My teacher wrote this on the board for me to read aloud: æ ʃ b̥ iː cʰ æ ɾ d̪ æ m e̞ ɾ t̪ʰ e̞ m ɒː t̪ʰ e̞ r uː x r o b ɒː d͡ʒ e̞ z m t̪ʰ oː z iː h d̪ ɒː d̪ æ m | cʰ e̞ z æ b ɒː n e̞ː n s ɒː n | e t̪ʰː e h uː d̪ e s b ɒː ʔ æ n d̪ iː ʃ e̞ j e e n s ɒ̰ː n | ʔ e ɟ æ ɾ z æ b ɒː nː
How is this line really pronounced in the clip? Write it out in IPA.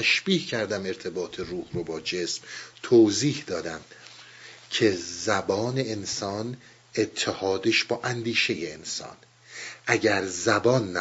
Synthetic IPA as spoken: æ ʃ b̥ iː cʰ æ ɾ d̪ æ m e̞ ɾ t̪ʰ e̞ b ɒː t̪ʰ e̞ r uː h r o b ɒː d͡ʒ e̞ s m t̪ʰ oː z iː h d̪ ɒː d̪ æ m | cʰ e̞ z æ b ɒː n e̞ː n s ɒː n | e t̪ʰː e h ɒː d̪ e ʃ b ɒː ʔ æ n d̪ iː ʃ e̞ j e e n s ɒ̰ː n | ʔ æ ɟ æ ɾ z æ b ɒː nː